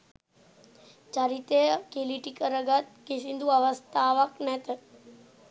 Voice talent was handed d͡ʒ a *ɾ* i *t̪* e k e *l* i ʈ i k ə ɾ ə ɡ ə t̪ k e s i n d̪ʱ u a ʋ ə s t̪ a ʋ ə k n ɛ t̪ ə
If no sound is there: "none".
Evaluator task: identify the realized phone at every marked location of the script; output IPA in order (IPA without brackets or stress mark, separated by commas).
ɾ, t̪, l